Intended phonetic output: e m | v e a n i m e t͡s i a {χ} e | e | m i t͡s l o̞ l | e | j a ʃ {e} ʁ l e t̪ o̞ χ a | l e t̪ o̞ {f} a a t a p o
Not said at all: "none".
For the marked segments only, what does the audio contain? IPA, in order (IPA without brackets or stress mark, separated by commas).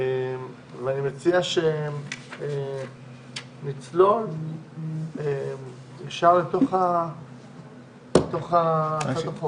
ʃ, a, χ